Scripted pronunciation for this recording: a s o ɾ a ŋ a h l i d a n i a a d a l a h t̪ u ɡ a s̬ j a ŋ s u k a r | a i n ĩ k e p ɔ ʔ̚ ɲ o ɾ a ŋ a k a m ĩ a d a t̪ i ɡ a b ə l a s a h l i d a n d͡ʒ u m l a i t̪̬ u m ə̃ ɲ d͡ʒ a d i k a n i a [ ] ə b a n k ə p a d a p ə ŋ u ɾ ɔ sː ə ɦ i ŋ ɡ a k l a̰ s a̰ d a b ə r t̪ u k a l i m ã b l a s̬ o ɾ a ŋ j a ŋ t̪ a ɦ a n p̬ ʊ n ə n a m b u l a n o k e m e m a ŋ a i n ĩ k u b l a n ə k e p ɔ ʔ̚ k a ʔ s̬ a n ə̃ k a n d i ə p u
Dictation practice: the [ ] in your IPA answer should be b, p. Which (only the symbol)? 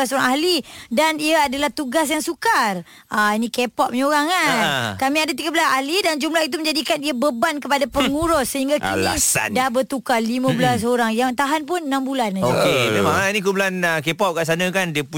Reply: b